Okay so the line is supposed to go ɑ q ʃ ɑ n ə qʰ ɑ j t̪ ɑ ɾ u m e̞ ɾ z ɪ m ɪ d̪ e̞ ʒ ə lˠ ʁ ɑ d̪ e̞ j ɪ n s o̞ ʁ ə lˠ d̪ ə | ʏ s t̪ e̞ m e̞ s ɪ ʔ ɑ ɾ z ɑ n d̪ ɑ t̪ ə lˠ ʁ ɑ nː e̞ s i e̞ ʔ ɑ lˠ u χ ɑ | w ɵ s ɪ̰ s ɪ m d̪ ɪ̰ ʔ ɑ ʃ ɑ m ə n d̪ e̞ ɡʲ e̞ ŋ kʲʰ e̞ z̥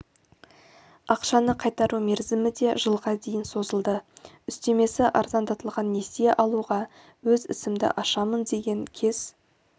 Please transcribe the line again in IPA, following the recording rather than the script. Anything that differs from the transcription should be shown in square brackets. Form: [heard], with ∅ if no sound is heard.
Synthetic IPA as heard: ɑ q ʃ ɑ n ə qʰ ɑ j t̪ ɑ ɾ u m e̞ ɾ z ɪ m ɪ d̪ e̞ ʒ ə lˠ ʁ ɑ d̪ e̞ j ɪ n s o̞ [z] ə lˠ d̪ ə | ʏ s t̪ e̞ m e̞ s ɪ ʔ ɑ ɾ z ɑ n d̪ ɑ t̪ ə lˠ ʁ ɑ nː e̞ s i e̞ ʔ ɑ lˠ u [ʁ] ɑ | w ɵ [z] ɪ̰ s ɪ m d̪ ɪ̰ ʔ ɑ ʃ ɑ m ə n d̪ e̞ ɡʲ e̞ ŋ kʲʰ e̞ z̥